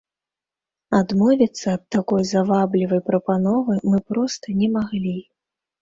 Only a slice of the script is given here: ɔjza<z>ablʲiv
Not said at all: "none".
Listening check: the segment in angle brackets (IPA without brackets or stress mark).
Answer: v